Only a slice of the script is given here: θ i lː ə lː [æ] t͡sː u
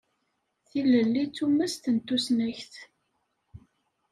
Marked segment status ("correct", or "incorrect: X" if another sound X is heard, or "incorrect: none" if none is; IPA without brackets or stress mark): incorrect: i